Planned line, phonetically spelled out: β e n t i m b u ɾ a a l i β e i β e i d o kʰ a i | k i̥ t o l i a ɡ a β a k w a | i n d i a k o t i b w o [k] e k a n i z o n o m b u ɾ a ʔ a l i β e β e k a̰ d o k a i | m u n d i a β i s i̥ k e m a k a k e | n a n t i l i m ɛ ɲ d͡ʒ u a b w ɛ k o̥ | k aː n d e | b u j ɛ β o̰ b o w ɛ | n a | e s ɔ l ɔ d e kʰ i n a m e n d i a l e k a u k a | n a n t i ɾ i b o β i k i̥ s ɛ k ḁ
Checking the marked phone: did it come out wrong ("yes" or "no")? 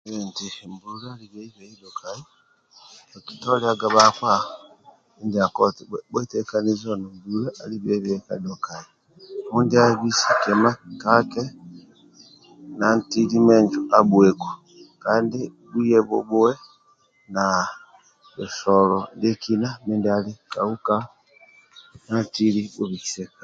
yes